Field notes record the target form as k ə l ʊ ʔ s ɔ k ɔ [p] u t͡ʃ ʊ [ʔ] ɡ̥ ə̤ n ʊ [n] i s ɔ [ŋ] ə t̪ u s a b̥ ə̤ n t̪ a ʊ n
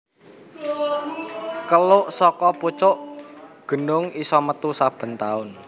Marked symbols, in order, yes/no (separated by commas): yes, yes, no, no